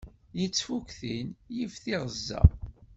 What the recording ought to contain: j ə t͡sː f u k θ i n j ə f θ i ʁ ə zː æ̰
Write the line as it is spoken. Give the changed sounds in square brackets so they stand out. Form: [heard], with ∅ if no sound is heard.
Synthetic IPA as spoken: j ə t͡sː f u k θ i n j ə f θ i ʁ ə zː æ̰